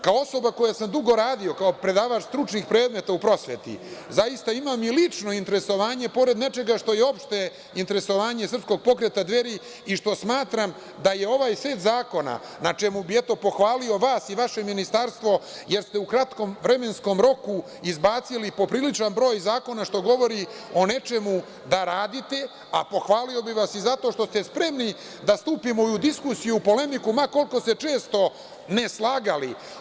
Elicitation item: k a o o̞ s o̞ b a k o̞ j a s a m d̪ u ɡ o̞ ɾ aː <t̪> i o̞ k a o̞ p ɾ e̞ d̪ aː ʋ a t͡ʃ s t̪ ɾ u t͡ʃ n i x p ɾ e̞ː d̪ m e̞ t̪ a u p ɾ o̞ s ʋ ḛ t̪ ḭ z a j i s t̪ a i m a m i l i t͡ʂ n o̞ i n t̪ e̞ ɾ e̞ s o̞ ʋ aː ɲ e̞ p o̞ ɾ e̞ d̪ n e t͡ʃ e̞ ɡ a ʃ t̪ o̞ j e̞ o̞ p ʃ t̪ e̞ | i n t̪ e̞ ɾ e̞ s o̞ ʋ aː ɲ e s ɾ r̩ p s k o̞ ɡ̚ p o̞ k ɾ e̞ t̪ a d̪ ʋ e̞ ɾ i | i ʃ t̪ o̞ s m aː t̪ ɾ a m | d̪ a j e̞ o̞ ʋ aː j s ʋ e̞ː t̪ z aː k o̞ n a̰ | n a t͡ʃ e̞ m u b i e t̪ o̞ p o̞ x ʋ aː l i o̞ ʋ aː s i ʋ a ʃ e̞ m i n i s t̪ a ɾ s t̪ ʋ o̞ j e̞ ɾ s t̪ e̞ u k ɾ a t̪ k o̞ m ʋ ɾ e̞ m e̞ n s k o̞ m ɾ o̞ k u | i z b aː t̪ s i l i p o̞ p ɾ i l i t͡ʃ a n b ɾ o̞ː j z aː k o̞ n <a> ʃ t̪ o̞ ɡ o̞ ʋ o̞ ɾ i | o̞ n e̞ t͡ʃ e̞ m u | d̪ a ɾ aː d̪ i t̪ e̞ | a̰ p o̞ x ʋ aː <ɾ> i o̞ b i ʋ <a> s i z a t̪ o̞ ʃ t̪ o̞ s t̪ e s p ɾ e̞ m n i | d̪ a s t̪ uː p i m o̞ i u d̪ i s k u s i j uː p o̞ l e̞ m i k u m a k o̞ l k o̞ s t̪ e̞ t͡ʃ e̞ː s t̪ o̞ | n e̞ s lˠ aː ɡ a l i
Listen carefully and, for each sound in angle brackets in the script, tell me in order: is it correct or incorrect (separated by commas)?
incorrect, correct, incorrect, correct